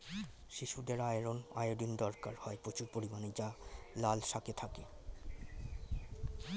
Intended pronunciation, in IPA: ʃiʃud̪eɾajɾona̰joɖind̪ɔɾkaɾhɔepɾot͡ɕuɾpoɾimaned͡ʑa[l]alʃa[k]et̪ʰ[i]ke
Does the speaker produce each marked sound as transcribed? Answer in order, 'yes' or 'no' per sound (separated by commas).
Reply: yes, yes, no